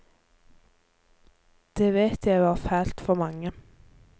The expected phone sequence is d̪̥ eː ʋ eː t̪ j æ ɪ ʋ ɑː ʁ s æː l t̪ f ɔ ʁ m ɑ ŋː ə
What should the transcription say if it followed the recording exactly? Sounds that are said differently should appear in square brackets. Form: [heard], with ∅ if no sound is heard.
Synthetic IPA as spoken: d̪̥ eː ʋ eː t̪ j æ ɪ ʋ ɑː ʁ [f] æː l t̪ f ɔ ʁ m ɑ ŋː ə